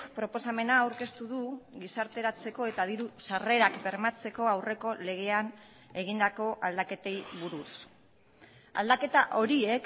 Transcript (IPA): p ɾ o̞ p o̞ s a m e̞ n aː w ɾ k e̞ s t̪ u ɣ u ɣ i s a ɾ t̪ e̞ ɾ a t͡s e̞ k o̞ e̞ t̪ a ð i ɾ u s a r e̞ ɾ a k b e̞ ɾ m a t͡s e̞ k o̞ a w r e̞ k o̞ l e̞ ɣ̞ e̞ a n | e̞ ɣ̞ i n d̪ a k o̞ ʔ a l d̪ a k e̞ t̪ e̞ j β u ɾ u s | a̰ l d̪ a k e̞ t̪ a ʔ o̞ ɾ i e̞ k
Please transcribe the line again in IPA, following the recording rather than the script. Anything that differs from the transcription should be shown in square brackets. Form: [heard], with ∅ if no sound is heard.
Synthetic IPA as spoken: p ɾ o̞ p o̞ s a m e̞ n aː w ɾ k e̞ s t̪ u [ð] u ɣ i s a ɾ t̪ e̞ ɾ a t͡s e̞ k o̞ e̞ t̪ a ð i ɾ u s a r e̞ ɾ a k b e̞ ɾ m a t͡s e̞ k o̞ a w r e̞ k o̞ l e̞ ɣ̞ e̞ a n | e̞ ɣ̞ i n d̪ a k o̞ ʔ a l d̪ a k e̞ t̪ e̞ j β u ɾ u s | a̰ l d̪ a k e̞ t̪ a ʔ o̞ ɾ i e̞ k